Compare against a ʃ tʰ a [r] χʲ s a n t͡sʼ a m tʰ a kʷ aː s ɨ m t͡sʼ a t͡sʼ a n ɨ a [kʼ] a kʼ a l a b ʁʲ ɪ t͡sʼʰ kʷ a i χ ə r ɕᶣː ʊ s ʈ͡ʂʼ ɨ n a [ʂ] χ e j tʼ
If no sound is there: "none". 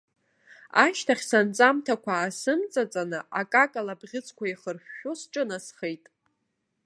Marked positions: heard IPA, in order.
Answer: none, kʼ, s

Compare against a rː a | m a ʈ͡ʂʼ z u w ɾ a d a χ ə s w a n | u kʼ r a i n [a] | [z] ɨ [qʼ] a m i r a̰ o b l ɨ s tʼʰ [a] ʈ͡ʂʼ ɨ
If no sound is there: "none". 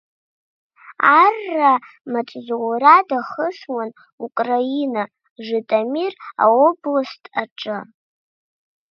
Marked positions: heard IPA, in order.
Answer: a, ʐ, tʼ, a

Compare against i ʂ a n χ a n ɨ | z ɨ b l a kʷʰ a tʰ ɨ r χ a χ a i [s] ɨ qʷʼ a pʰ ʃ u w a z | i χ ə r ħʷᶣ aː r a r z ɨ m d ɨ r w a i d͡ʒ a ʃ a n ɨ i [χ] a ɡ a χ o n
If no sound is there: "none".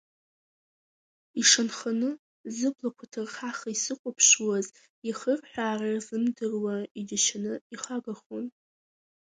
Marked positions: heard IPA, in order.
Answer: s, χ

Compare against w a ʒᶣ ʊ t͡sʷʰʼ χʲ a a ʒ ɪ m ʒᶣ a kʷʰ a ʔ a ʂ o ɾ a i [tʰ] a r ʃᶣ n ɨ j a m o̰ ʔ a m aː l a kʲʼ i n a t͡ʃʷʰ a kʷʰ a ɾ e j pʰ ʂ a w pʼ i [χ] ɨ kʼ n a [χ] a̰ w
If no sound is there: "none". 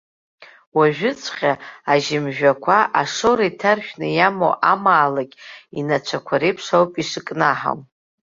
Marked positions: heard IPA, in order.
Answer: tʰ, ʂ, ħ

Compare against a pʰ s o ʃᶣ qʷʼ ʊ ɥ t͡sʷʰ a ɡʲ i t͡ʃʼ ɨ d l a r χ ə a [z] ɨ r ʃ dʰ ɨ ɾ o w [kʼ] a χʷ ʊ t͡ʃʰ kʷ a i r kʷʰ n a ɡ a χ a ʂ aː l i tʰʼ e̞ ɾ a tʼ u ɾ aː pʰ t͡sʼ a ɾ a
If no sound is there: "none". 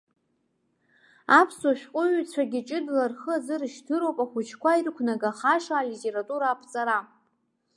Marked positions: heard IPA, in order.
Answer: z, pʼ

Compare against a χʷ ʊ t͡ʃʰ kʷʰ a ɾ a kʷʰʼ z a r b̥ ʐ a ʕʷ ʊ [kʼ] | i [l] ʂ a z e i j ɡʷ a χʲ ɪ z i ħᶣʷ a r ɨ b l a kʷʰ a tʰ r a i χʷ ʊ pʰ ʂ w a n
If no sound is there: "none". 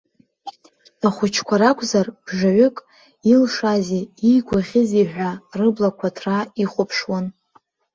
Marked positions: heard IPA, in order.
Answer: kʼ, l

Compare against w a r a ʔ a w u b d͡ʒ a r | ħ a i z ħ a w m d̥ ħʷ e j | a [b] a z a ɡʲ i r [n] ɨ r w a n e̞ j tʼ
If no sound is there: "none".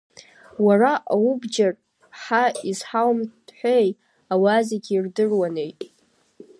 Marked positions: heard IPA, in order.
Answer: w, d

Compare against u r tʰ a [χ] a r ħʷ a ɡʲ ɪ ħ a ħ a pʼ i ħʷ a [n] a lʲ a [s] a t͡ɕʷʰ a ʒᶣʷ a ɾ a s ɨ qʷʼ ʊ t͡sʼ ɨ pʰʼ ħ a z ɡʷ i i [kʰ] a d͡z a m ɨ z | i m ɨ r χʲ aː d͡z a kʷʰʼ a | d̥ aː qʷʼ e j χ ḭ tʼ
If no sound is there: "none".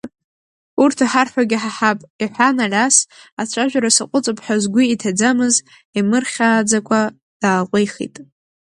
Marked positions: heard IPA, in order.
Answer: ħ, n, s, tʰ

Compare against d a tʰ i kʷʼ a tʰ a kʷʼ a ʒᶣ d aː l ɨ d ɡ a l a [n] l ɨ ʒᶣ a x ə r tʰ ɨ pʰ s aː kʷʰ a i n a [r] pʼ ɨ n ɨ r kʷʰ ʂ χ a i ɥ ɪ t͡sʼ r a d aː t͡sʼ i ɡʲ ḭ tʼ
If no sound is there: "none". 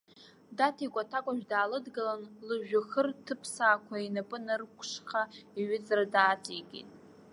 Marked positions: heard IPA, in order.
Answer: n, none

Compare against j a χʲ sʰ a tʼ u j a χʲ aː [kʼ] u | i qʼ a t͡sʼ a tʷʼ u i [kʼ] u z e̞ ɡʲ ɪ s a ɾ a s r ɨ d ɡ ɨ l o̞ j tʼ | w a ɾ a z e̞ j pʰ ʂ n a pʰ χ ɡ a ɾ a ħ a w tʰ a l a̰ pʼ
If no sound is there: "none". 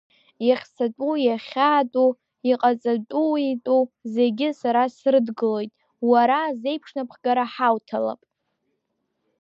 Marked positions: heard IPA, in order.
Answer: tʼ, tʼ

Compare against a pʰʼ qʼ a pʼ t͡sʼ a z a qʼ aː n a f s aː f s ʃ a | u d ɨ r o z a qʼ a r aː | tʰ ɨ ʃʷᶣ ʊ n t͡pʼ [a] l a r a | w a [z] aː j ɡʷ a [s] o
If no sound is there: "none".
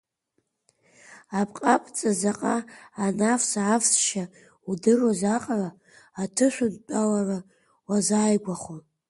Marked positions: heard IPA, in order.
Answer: a, z, χ

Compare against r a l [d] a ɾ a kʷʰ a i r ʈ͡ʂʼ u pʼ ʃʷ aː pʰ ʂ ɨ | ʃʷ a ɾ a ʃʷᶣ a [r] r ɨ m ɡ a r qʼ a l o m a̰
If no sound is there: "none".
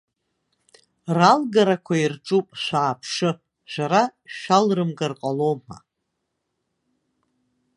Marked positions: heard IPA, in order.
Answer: ɡ, l

